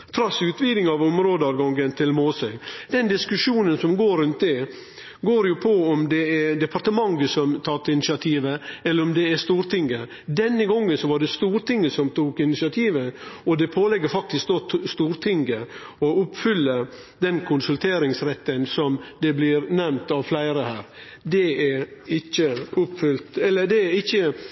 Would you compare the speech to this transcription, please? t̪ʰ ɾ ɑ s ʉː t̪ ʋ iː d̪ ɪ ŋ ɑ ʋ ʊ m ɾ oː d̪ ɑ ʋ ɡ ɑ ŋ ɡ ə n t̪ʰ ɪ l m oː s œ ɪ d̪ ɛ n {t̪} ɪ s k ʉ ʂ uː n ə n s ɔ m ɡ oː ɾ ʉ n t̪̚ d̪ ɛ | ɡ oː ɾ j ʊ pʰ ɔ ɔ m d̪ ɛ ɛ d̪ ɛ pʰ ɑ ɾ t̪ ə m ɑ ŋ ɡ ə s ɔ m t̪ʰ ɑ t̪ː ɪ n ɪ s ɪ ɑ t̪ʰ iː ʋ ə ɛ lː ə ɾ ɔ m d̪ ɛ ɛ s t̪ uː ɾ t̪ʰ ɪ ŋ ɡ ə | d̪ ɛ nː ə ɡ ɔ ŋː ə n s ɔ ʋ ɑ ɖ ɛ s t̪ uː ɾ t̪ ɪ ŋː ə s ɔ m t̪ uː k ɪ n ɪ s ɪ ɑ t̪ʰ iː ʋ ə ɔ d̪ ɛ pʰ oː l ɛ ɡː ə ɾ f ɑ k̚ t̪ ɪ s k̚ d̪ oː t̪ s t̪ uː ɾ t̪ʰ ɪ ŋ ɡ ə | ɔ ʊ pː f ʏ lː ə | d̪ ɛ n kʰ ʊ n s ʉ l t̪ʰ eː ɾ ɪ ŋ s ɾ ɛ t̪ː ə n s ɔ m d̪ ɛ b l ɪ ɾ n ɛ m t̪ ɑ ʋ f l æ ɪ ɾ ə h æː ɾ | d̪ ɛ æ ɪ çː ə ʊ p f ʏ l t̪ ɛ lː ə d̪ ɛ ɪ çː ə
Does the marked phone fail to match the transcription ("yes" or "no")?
yes